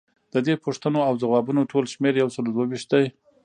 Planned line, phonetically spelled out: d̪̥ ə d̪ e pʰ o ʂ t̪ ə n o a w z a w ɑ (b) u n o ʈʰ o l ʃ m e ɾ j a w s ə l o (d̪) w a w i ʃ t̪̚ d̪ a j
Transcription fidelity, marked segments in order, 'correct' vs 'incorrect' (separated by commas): correct, correct